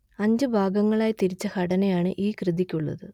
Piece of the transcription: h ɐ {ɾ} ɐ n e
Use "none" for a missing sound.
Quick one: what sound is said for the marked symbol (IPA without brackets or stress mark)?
ɽ